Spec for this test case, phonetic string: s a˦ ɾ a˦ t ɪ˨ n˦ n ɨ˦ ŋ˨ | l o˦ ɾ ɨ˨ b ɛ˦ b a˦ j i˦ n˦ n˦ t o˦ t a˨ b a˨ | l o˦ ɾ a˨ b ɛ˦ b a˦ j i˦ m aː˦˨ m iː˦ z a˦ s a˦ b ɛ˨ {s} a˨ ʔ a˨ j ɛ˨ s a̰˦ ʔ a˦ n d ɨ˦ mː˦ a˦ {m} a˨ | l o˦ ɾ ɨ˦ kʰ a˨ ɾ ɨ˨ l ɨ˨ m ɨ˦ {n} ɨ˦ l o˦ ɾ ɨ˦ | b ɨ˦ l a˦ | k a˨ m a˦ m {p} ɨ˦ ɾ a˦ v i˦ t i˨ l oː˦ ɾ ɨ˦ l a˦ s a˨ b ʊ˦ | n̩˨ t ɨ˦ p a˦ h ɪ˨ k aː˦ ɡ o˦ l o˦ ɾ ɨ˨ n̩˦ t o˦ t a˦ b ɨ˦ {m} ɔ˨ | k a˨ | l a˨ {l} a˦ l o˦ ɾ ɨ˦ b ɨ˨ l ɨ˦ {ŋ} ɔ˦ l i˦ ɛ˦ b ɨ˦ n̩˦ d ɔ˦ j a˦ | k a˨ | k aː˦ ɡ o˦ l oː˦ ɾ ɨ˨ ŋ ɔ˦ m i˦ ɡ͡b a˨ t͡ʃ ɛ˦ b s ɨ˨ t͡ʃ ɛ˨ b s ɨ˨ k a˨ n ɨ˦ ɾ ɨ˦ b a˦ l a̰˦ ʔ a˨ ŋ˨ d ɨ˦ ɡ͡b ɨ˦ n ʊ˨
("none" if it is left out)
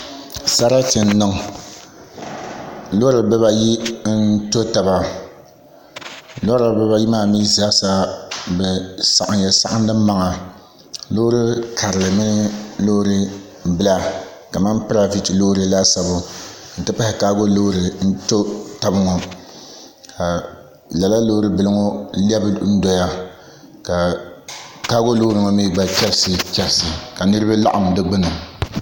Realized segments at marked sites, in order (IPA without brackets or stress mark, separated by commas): s, ŋ, n, p, ŋ, l, ŋ